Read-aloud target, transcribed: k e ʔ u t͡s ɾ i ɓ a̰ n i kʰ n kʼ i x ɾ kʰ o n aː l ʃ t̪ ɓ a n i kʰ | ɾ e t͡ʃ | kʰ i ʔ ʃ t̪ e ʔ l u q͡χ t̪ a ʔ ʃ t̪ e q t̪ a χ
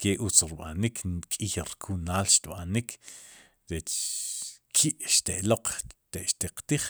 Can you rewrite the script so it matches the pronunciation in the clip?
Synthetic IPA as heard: k e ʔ u t͡s ɾ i ɓ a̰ n i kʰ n kʼ i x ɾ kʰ u n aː l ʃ t̪ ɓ a n i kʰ | ɾ e t͡ʃ | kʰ i ʔ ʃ t̪ e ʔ l o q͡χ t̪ e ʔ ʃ t̪ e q t̪ i χ